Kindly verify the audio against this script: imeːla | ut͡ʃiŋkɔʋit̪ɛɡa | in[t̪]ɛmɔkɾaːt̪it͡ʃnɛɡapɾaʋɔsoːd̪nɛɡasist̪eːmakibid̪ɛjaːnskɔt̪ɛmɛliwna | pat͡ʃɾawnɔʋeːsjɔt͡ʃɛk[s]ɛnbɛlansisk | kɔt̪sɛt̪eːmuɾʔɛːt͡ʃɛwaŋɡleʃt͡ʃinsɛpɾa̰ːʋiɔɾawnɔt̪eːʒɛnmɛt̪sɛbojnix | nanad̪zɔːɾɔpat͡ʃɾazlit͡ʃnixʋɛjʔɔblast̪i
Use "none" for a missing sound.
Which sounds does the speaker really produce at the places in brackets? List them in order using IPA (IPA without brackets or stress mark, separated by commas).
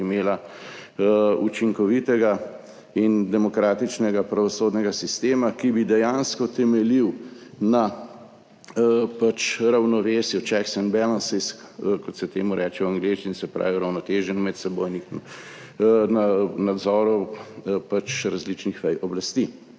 d̪, s